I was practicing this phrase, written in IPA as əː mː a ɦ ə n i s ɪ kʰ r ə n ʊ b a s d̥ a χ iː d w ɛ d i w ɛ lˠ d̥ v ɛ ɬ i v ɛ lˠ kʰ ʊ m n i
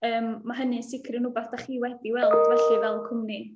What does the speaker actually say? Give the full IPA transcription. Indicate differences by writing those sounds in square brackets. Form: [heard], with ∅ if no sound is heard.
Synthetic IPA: əː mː a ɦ ə n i s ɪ kʰ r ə n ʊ b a [θ] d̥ a χ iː [∅] w ɛ d i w ɛ lˠ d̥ v ɛ ɬ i v ɛ lˠ kʰ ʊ m n i